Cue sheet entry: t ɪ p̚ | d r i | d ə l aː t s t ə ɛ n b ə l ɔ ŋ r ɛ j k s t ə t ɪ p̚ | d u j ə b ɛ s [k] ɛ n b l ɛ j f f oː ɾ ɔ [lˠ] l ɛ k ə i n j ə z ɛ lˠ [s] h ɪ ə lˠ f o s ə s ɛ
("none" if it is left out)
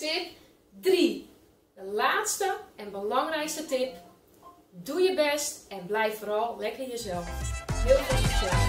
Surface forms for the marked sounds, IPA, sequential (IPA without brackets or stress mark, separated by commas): t, lˠ, f